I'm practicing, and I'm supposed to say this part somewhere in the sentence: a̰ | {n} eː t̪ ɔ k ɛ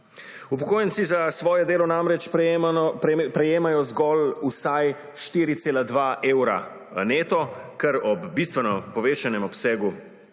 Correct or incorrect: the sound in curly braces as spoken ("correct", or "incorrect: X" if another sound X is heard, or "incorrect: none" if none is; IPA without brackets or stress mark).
correct